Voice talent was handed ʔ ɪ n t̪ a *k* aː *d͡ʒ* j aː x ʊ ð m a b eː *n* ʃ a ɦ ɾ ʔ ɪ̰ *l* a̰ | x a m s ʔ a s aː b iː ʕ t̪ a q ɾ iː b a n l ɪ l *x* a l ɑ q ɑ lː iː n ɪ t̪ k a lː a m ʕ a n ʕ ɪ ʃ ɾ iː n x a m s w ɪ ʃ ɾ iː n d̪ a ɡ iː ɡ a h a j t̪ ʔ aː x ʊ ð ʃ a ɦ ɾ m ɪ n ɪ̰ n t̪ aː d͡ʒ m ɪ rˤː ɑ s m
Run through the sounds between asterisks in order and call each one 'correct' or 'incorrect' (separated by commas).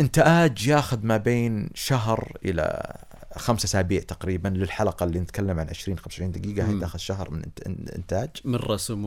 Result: incorrect, correct, correct, correct, incorrect